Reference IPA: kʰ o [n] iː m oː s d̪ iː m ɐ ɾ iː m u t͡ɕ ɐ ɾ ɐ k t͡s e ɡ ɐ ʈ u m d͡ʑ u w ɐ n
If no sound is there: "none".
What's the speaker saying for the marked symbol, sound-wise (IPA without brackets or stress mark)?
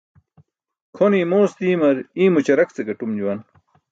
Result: n